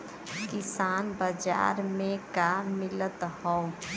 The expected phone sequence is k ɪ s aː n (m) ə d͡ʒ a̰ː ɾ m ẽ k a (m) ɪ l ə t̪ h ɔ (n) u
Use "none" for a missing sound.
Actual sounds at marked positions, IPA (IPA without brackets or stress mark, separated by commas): b, m, none